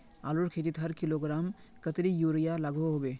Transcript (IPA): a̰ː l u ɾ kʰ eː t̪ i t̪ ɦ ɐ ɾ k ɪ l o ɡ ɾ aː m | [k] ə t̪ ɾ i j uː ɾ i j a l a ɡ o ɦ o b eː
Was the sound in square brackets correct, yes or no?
yes